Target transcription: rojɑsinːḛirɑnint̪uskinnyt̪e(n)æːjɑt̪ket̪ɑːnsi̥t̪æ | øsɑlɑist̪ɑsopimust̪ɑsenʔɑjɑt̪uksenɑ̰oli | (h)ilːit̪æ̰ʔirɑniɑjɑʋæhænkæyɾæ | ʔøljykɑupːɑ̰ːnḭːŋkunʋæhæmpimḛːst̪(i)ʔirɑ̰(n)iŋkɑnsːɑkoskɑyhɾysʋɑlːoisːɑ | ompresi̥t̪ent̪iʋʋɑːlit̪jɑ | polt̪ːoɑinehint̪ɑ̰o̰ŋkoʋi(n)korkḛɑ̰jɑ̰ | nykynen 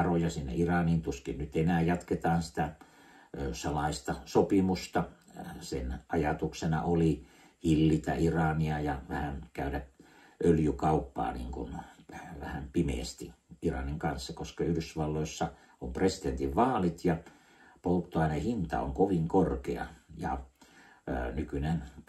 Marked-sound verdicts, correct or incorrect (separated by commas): correct, correct, correct, correct, incorrect